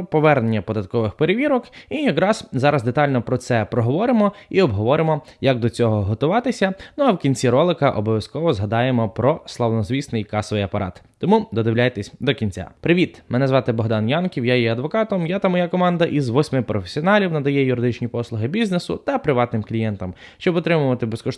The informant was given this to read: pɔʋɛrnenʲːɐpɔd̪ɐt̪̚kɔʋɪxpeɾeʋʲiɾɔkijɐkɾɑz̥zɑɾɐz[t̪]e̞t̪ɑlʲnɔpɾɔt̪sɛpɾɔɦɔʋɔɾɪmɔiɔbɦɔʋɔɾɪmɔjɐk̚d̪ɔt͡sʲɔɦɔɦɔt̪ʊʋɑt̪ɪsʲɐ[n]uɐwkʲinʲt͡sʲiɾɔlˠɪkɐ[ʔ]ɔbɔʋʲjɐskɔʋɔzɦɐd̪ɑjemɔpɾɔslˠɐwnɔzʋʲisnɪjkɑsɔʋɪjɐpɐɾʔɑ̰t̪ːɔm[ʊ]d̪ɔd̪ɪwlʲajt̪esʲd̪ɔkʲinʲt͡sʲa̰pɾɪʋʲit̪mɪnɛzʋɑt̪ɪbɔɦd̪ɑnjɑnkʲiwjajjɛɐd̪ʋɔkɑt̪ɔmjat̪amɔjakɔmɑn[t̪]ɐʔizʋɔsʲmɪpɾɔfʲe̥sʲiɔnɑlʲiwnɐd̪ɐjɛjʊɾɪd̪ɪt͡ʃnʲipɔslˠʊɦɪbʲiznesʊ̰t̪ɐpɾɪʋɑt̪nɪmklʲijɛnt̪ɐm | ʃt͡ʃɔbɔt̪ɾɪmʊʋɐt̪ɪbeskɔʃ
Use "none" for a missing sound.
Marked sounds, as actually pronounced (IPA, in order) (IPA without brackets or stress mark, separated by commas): d̪, n, ʔ, u, d̪